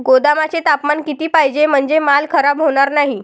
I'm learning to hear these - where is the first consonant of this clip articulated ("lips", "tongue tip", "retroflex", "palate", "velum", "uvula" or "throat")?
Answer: velum